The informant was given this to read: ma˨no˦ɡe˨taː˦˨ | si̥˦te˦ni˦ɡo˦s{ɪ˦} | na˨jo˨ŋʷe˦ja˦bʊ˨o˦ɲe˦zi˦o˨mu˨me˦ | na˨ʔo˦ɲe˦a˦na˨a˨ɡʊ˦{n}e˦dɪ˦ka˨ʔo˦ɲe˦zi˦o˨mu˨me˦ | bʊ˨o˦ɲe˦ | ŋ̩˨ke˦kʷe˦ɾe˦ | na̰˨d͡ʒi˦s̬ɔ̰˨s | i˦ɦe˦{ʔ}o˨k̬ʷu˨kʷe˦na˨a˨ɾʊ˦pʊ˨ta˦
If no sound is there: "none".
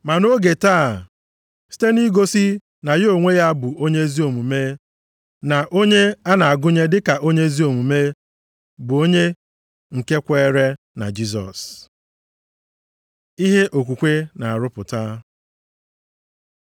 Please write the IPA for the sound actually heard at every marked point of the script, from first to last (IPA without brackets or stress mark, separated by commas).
i˦, ɲ, ʔ